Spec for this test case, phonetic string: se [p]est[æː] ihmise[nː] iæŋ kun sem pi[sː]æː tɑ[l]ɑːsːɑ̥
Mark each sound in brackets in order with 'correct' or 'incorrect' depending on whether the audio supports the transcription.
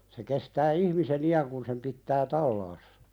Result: incorrect, correct, incorrect, incorrect, incorrect

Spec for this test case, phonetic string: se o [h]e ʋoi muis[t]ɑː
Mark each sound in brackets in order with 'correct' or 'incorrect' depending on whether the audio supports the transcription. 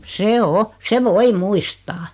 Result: incorrect, correct

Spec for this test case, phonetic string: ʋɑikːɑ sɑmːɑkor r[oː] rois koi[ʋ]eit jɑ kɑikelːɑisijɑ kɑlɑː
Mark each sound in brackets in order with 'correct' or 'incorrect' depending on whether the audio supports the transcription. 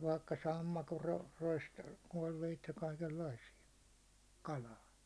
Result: incorrect, correct

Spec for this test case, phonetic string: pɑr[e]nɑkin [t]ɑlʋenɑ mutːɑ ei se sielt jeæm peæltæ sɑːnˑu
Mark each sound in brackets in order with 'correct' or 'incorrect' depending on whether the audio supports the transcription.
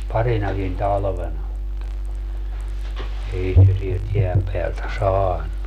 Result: incorrect, correct

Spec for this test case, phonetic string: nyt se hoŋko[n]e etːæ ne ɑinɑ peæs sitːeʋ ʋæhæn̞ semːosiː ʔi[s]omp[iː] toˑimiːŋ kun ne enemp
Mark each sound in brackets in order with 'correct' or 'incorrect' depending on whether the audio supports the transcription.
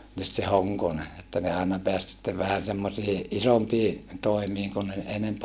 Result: correct, correct, correct

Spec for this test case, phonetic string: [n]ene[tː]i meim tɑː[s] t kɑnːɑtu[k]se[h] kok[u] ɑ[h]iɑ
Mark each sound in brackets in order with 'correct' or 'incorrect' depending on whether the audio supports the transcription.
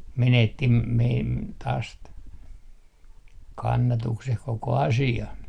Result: incorrect, correct, correct, correct, correct, incorrect, incorrect

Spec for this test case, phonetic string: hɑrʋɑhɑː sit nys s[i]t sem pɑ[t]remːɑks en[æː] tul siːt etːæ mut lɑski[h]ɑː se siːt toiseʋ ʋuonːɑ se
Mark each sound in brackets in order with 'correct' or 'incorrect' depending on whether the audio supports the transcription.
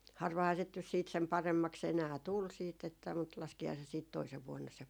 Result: incorrect, incorrect, correct, correct

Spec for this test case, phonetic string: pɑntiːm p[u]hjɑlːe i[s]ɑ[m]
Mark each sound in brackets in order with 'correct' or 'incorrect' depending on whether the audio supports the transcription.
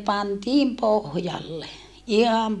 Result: incorrect, incorrect, correct

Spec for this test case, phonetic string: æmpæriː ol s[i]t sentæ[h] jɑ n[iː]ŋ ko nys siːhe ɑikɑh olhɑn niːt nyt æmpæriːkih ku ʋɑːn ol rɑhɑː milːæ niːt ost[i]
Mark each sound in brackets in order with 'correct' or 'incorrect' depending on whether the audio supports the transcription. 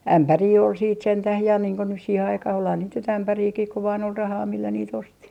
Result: incorrect, correct, correct, correct

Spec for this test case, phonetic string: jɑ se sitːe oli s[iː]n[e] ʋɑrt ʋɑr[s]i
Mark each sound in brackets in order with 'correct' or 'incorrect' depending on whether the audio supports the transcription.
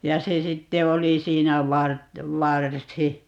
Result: correct, incorrect, correct

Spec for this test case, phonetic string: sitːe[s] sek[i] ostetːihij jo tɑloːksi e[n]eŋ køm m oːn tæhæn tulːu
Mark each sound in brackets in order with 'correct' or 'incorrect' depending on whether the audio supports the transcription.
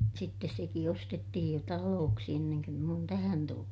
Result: correct, correct, incorrect

